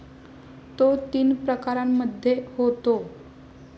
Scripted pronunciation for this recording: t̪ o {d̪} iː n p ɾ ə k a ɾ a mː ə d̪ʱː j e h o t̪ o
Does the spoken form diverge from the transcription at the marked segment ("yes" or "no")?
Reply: yes